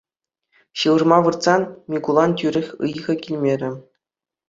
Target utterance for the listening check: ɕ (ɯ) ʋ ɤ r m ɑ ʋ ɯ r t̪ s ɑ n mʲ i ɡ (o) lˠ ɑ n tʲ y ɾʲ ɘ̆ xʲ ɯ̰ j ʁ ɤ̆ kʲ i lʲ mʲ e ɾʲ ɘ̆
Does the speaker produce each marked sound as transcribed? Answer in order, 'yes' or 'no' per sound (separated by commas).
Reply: yes, no